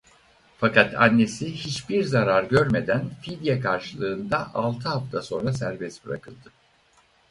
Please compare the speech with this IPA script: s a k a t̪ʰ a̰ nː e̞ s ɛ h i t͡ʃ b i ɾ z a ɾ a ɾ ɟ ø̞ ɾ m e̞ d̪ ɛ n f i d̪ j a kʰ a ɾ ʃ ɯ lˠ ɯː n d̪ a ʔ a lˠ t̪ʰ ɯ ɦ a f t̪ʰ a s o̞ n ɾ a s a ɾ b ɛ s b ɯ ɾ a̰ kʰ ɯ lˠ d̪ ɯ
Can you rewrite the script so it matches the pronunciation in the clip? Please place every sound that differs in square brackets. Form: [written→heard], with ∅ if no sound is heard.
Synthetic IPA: [s→f] a k a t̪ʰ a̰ nː e̞ s [ɛ→i] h i t͡ʃ b i ɾ z a ɾ a ɾ ɟ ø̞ ɾ m e̞ d̪ [ɛ→æ] n f i d̪ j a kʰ a ɾ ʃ ɯ lˠ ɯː n d̪ a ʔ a lˠ t̪ʰ ɯ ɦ a f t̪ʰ a s o̞ n ɾ a s [a→æ] ɾ b ɛ s b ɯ ɾ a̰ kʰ ɯ lˠ d̪ ɯ